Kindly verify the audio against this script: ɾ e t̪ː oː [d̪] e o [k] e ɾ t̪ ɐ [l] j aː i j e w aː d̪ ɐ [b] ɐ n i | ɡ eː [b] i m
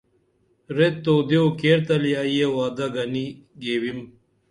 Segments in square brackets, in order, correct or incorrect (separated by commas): correct, correct, correct, incorrect, incorrect